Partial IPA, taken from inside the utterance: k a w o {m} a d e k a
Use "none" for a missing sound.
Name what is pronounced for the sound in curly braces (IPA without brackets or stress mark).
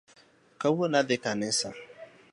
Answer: n